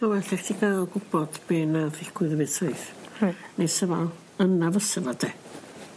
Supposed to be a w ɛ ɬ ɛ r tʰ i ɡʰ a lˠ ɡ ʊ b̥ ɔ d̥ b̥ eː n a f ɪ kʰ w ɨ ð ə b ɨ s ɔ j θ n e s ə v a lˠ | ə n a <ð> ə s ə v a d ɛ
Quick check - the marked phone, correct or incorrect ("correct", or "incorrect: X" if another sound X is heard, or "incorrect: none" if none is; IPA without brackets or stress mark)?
incorrect: v